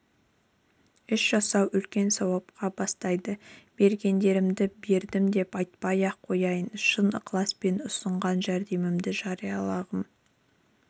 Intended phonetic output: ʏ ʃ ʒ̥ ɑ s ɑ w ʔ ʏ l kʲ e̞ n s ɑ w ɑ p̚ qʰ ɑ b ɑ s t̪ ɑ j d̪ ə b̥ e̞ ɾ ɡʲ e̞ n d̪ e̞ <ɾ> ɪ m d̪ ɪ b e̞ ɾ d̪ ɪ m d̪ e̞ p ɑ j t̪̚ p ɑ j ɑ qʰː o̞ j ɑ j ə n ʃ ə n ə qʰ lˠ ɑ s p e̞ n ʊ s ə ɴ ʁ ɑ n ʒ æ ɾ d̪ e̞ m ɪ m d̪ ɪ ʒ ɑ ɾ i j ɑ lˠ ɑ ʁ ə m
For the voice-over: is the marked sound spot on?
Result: yes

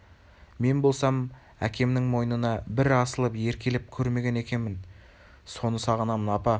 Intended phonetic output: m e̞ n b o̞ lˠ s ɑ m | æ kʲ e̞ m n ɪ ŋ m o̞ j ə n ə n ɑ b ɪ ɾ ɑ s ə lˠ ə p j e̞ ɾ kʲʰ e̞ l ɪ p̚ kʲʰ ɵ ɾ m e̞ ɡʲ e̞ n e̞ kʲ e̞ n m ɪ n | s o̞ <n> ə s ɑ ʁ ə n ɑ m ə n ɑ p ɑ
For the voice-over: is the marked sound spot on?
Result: yes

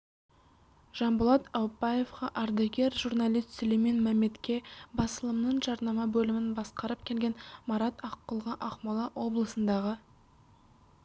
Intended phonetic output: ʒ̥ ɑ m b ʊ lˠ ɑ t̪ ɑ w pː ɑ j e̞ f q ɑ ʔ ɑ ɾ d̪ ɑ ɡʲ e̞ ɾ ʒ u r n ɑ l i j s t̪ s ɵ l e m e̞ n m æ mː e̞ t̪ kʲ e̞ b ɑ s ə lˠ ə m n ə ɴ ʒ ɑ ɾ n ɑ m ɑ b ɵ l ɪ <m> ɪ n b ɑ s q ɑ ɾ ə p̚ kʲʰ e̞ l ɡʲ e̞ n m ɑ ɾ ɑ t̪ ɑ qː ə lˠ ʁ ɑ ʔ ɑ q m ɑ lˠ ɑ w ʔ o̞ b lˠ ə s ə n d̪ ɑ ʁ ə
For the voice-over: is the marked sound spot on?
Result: yes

